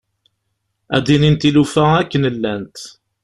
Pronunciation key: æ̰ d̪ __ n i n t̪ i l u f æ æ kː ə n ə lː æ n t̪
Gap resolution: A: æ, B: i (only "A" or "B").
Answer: B